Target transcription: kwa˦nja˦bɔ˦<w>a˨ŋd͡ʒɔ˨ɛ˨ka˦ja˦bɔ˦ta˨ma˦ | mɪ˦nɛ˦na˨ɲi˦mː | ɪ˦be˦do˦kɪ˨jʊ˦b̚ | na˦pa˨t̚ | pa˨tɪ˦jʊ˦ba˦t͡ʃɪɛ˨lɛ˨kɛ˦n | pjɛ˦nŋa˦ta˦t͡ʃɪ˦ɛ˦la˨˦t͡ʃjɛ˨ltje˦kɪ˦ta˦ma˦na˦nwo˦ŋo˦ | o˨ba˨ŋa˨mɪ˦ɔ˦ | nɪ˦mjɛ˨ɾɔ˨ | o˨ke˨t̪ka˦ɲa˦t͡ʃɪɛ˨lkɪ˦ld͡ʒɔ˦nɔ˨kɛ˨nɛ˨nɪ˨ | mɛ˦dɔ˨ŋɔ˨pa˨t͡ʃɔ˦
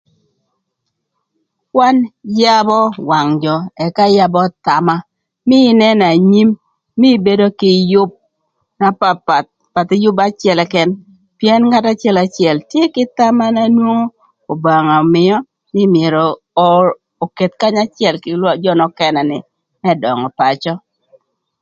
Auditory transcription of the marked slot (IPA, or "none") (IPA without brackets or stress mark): w